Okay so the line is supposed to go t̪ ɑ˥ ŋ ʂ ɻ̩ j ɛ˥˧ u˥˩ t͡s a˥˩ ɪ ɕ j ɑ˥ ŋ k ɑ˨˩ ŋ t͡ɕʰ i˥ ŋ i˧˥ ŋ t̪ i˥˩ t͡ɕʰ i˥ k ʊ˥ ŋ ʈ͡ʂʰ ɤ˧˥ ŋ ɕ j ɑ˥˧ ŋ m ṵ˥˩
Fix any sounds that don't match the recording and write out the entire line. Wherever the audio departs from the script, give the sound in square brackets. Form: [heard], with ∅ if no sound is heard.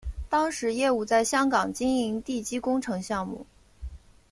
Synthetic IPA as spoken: t̪ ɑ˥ ŋ ʂ ɻ̩ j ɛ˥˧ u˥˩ t͡s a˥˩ ɪ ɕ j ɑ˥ ŋ k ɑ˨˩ ŋ [t͡ɕ] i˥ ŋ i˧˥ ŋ t̪ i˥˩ [t͡ɕ] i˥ k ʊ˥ ŋ ʈ͡ʂʰ ɤ˧˥ ŋ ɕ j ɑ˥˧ ŋ m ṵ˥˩